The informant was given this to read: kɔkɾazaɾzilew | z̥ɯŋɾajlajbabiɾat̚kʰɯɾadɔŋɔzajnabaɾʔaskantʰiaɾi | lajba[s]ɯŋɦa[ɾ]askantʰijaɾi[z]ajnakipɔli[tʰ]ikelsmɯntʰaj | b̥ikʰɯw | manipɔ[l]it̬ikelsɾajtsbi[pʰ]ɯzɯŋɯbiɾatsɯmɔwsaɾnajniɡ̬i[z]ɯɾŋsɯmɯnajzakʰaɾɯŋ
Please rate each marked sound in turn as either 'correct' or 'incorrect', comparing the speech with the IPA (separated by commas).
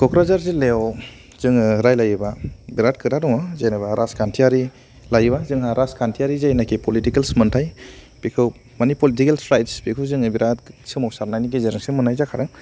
incorrect, correct, correct, incorrect, correct, incorrect, correct